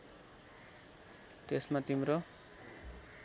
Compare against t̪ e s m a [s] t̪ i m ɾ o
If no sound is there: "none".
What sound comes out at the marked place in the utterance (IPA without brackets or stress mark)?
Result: none